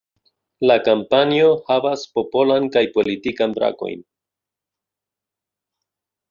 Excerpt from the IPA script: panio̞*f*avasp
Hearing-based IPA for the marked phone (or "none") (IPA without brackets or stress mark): h